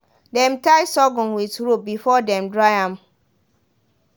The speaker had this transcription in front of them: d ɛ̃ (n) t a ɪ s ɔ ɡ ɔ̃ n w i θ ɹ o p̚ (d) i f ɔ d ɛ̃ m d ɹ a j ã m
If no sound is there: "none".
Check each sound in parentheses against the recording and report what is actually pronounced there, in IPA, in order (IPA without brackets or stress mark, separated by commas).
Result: m, b